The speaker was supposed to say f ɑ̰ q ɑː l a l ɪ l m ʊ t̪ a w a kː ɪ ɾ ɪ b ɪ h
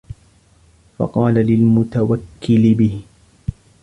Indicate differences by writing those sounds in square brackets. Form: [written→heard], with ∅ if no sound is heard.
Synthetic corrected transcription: f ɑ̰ q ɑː l a l ɪ l m ʊ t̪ a w a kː ɪ [ɾ→l] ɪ b ɪ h

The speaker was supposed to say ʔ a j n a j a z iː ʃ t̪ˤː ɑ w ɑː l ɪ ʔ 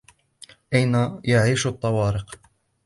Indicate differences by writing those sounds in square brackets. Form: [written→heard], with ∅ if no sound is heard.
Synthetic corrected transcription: ʔ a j n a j a [z→ʕ] iː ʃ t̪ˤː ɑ w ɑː [l→ɾ] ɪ [ʔ→q]

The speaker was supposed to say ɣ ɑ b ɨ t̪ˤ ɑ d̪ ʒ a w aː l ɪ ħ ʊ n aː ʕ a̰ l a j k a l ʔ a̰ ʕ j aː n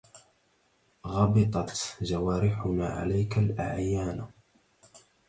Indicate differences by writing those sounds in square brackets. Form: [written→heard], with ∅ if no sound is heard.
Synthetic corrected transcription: ɣ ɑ b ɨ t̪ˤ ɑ [d̪→t̪] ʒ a w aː [l→ɾ] ɪ ħ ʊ n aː ʕ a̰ l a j k a l ʔ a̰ ʕ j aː n

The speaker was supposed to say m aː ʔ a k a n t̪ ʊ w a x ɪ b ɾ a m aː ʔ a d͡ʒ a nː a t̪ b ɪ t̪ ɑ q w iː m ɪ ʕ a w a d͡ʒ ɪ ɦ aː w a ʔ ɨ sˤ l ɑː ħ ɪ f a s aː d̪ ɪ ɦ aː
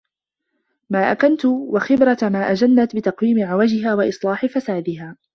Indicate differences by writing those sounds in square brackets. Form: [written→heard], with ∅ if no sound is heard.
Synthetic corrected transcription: m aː ʔ a k a n t̪ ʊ w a x ɪ b ɾ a m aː ʔ a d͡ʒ a nː a t̪ b ɪ t̪ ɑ q w iː m ɪ ʕ a w a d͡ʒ ɪ ɦ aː w a ʔ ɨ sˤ l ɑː ħ ɪ f a s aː d̪ ɪ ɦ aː

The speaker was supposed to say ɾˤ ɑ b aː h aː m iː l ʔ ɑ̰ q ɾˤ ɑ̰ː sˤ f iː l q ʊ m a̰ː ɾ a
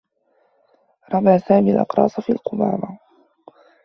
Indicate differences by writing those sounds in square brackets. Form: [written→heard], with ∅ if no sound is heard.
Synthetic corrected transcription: ɾˤ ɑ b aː [h→s] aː m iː l ʔ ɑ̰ q ɾˤ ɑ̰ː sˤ f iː l q ʊ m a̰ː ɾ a

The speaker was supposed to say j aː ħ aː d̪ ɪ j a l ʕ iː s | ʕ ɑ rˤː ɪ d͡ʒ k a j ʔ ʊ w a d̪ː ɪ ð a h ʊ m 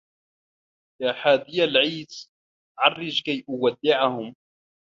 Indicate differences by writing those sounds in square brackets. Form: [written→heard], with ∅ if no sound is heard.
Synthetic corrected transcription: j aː ħ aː d̪ ɪ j a l ʕ iː s | ʕ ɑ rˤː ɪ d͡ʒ k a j ʔ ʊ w a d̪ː ɪ [ð→ʕ] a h ʊ m

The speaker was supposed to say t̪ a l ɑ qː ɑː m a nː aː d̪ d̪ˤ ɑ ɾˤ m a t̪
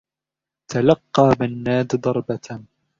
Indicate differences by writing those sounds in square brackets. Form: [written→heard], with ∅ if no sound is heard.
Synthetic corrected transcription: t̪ a l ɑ qː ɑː [m→b] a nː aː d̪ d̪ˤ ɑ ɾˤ [m→b] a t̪

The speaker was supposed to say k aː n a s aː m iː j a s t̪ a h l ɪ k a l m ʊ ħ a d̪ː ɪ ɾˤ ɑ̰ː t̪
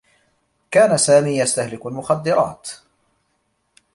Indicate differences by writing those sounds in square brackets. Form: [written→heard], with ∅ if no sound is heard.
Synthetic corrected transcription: k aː n a s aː m iː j a s t̪ a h l ɪ k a l m ʊ [ħ→x] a d̪ː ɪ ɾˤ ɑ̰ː t̪

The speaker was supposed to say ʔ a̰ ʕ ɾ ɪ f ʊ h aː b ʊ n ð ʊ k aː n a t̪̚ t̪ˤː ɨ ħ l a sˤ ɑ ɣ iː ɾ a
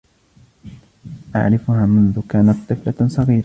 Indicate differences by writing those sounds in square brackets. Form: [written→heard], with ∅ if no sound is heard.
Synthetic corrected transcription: ʔ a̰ ʕ ɾ ɪ f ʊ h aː [b→m] ʊ n ð ʊ k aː n a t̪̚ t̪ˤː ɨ [ħ→f] l a sˤ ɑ ɣ iː ɾ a

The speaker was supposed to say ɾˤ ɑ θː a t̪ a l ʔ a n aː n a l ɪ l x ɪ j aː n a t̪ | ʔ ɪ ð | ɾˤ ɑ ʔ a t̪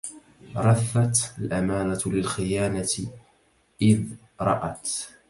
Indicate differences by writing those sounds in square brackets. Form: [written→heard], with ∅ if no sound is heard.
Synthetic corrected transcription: ɾˤ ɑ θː a t̪ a l ʔ a [n→m] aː n a l ɪ l x ɪ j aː n a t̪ | ʔ ɪ ð | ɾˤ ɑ ʔ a t̪

